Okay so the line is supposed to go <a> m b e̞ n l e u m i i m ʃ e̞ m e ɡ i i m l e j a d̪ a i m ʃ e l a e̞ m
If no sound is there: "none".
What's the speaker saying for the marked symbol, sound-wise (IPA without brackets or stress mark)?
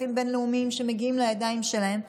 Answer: i